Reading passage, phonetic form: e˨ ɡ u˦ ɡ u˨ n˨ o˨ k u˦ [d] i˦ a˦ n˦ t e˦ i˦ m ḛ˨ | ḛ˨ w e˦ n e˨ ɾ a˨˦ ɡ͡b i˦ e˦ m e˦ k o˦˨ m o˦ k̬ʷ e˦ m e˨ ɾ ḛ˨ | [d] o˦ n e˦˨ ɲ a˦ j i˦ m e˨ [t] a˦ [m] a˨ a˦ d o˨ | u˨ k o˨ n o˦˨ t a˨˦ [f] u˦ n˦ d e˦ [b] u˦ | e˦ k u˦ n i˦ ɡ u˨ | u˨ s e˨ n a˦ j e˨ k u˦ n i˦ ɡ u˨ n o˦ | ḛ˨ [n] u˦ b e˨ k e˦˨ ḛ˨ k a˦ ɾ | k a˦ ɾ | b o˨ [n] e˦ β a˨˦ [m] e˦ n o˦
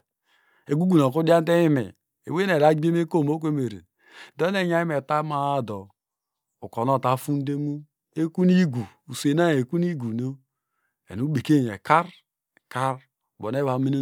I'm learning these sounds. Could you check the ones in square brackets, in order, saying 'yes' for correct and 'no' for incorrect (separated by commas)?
yes, yes, yes, yes, yes, no, yes, yes, yes